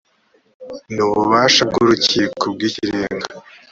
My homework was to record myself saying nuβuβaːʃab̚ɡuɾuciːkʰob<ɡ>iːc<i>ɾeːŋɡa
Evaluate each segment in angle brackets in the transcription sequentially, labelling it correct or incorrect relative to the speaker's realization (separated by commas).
correct, correct